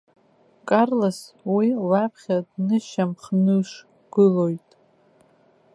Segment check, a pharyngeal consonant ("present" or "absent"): absent